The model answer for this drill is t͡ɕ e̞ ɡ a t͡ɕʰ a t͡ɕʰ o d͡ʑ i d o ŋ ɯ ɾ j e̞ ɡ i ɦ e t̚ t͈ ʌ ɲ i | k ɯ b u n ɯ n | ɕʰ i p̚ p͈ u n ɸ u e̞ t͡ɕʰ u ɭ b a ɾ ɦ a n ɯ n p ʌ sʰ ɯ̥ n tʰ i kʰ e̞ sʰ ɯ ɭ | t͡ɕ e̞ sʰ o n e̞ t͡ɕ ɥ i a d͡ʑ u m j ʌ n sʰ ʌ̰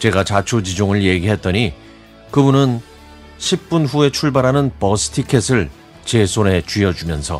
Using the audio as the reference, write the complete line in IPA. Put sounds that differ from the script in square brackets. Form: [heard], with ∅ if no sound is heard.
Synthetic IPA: t͡ɕ e̞ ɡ a [t͡ɕ] a t͡ɕʰ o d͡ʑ i [d͡ʑ] o ŋ ɯ [ɭ] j e̞ ɡ i ɦ e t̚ t͈ ʌ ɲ i | k ɯ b u n ɯ n | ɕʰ i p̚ p͈ u n ɸ u e̞ t͡ɕʰ u ɭ b a ɾ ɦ a n ɯ n p ʌ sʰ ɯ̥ [∅] tʰ i kʰ e̞ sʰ ɯ ɭ | t͡ɕ e̞ sʰ o n e̞ t͡ɕ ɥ i [ʌ] d͡ʑ u m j ʌ n sʰ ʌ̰